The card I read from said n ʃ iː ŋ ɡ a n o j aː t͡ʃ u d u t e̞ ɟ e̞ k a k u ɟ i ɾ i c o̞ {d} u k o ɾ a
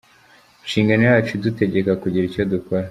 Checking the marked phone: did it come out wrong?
no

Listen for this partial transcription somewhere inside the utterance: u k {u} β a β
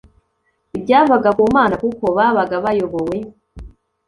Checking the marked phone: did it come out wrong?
yes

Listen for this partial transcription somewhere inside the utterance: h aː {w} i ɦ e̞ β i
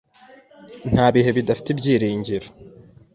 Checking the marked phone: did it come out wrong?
yes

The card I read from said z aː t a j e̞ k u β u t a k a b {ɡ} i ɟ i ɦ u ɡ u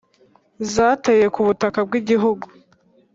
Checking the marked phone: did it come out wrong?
no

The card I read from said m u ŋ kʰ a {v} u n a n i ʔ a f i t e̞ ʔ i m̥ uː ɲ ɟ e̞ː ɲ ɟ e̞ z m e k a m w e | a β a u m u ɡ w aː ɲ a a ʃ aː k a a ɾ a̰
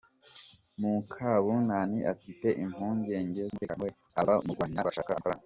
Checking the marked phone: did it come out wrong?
yes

